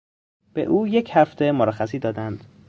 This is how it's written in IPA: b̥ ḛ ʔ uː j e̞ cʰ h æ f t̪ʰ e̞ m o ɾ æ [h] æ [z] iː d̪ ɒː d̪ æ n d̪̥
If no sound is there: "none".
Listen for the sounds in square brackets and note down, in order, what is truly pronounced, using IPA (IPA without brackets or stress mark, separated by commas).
x, s